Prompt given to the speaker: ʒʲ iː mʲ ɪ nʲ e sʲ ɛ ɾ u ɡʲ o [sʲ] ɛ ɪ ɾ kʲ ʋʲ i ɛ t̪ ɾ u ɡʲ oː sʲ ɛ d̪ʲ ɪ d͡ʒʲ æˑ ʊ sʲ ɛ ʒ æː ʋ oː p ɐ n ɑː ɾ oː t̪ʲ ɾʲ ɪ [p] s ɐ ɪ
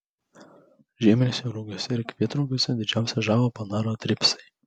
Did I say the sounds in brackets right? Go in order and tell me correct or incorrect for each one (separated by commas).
correct, correct